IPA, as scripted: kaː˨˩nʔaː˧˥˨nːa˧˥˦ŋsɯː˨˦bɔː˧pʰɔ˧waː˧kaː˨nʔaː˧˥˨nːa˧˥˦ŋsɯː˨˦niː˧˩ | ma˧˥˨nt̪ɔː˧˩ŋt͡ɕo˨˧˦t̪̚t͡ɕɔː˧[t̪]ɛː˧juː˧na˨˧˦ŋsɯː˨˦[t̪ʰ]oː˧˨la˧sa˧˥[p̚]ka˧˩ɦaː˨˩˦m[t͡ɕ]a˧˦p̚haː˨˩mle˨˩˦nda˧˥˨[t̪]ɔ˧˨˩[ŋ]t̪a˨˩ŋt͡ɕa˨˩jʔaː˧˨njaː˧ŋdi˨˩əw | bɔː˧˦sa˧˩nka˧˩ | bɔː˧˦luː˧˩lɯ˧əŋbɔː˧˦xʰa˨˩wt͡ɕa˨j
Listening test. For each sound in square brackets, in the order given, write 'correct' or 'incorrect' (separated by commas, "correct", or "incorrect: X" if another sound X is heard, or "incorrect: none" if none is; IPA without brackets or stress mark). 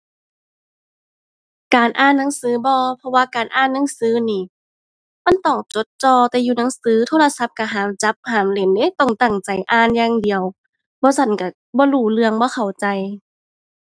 correct, correct, correct, correct, correct, correct